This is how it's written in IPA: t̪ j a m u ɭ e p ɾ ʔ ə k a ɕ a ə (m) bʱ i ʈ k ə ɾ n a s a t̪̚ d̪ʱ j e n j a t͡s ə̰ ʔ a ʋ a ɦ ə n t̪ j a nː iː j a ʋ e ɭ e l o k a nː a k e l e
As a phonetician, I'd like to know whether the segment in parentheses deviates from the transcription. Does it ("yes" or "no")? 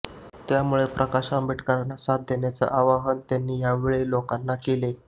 no